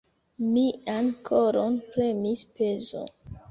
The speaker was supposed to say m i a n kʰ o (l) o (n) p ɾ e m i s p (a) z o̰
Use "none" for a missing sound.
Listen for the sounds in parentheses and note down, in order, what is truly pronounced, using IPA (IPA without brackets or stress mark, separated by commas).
ɾ, n, e